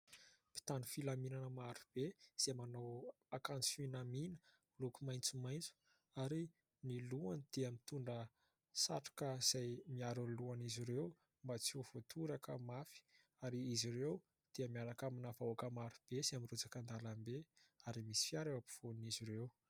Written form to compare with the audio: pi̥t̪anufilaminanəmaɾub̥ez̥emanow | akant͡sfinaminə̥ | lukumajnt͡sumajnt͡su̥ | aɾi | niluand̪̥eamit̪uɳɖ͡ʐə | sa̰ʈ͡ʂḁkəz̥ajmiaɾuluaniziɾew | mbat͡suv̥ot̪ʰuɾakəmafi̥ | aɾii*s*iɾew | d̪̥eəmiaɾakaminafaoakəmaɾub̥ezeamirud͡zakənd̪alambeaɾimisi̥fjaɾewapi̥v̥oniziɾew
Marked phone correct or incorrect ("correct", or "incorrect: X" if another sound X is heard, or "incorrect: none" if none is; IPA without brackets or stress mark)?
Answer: incorrect: z